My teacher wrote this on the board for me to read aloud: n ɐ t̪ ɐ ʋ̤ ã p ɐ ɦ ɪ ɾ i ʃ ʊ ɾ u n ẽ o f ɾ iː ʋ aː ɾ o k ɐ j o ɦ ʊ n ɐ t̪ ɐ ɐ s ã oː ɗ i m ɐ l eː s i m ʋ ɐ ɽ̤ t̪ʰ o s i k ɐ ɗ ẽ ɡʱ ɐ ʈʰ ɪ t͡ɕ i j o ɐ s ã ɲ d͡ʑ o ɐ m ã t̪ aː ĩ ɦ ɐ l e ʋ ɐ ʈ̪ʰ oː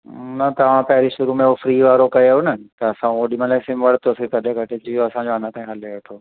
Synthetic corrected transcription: n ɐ t̪ ɐ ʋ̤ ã p ɐ ɦ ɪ ɾ i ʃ ʊ ɾ u m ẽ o f ɾ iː ʋ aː ɾ o k ɐ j o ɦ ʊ n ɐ t̪ ɐ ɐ s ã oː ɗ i m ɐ l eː s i m ʋ ɐ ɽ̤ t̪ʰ o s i k ɐ ɗ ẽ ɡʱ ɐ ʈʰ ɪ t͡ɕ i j o ɐ s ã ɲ d͡ʑ o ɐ n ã t̪ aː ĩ ɦ ɐ l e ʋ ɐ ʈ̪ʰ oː